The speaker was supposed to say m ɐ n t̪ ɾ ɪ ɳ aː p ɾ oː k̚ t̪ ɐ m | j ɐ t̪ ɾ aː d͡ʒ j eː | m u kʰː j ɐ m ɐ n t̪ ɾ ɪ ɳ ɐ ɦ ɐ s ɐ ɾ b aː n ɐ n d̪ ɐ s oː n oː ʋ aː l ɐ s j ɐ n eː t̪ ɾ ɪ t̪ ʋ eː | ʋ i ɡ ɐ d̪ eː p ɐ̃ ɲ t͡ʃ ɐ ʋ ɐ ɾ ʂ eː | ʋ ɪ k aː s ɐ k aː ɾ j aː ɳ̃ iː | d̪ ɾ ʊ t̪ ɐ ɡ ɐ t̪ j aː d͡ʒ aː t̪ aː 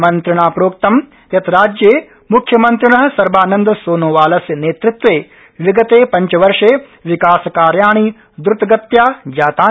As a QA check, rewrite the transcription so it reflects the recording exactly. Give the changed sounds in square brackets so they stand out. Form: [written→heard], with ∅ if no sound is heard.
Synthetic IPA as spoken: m ɐ n t̪ ɾ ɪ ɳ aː p ɾ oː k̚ t̪ ɐ m | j ɐ t̪ ɾ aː d͡ʒ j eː | m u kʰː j ɐ m ɐ n t̪ ɾ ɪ ɳ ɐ ɦ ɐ s ɐ ɾ b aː n ɐ n d̪ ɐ s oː n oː ʋ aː l ɐ s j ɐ n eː t̪ ɾ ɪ t̪ ʋ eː | ʋ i ɡ ɐ [d̪→t̪] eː p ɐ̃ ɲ t͡ʃ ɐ ʋ ɐ ɾ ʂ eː | ʋ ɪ k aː s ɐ k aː ɾ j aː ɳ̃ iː | d̪ ɾ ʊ t̪ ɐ ɡ ɐ t̪ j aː d͡ʒ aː t̪ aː